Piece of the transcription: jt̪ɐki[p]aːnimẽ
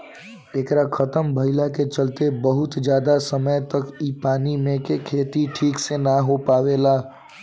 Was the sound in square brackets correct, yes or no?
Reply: yes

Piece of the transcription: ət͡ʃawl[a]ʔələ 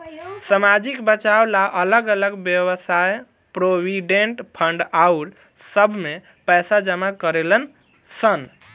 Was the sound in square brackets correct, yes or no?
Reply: yes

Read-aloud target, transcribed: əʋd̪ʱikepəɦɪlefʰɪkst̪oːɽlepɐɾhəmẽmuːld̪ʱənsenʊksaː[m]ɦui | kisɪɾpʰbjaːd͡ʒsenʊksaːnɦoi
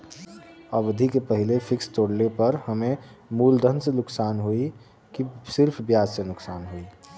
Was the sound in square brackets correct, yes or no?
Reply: no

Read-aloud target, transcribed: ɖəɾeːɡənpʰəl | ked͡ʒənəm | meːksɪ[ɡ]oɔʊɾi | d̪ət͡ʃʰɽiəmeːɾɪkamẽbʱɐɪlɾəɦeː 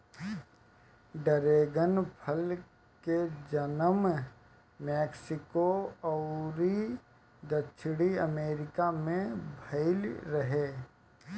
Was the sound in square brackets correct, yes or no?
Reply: no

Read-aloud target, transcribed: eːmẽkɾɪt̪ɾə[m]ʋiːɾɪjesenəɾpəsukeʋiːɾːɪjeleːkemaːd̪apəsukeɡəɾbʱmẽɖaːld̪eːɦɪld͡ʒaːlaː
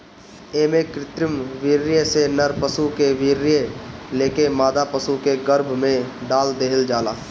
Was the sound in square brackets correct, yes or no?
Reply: yes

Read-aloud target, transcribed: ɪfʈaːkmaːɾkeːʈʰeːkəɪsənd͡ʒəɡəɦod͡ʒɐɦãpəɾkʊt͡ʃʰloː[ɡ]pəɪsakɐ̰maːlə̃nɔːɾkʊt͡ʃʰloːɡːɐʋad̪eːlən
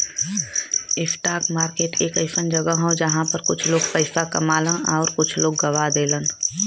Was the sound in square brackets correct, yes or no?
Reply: yes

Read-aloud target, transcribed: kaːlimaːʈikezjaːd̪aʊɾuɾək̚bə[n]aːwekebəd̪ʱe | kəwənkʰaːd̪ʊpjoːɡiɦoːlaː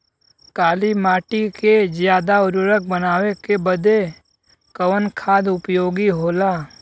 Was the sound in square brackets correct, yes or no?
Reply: yes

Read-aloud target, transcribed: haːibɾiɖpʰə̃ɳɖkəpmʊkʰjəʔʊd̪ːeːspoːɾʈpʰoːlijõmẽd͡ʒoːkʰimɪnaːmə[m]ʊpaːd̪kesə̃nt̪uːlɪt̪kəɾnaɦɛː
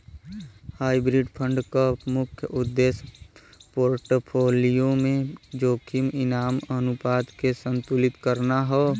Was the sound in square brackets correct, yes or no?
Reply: no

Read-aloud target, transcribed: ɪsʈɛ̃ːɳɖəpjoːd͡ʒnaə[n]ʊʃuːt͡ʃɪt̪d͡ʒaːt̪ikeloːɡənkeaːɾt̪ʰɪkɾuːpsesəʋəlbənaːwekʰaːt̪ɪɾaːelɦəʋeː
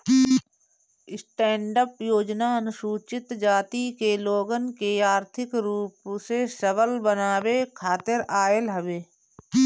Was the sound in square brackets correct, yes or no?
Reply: yes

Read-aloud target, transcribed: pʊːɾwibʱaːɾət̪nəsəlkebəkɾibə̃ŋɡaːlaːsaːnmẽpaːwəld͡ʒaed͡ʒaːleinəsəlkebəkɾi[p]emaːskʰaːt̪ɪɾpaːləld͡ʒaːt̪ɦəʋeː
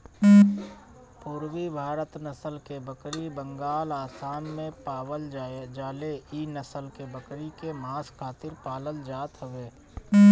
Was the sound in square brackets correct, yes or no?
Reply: no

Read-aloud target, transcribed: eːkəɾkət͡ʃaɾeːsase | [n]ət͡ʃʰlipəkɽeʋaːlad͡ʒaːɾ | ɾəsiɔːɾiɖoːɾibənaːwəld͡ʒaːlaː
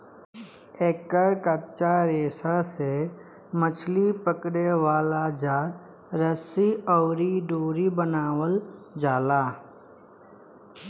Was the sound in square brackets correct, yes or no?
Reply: no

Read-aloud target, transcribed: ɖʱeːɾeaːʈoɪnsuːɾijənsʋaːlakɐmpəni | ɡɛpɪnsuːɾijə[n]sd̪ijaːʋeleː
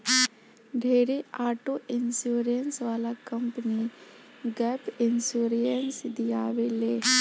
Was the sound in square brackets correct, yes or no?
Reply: yes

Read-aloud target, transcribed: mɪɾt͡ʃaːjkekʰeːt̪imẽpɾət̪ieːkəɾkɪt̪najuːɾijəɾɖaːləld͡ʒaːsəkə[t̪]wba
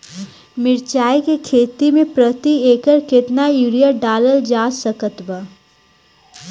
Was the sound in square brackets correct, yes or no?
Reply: yes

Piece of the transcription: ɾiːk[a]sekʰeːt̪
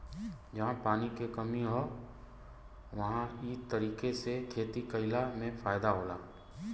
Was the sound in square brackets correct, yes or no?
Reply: no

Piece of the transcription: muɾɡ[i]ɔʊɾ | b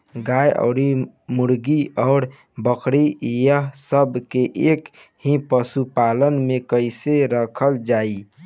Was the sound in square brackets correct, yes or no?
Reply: yes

